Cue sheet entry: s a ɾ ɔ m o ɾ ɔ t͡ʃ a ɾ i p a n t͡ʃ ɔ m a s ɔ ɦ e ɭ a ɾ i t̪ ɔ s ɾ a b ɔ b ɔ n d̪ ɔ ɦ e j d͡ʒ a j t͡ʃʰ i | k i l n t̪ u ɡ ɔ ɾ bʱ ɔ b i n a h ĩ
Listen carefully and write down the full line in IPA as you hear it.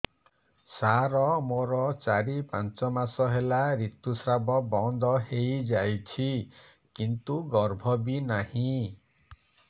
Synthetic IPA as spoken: s a ɾ ɔ m o ɾ ɔ t͡ʃ a ɾ i p a n t͡ʃ ɔ m a s ɔ ɦ e l a ɾ i t̪ u s ɾ a b ɔ b ɔ n d̪ ɔ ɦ e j d͡ʒ a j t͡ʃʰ i | k i n t̪ u ɡ ɔ ɾ bʱ ɔ b i n a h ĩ